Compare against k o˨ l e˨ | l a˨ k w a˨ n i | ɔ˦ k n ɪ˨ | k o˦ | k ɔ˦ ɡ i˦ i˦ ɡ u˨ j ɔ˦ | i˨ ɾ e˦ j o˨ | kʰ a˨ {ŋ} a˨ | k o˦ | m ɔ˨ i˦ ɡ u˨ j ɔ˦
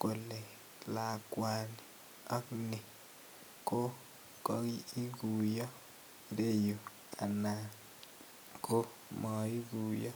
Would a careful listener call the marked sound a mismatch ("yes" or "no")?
yes